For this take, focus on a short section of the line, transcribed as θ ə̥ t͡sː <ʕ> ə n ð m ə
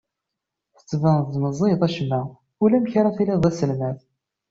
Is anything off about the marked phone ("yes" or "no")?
yes